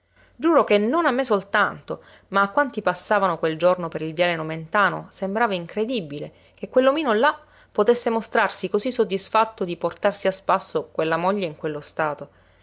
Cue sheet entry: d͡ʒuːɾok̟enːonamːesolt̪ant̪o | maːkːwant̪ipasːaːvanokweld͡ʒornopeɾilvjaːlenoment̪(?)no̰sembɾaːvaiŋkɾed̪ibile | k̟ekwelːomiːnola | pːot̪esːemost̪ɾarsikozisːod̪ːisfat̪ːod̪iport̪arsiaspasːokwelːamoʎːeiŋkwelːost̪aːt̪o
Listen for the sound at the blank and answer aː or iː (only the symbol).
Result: aː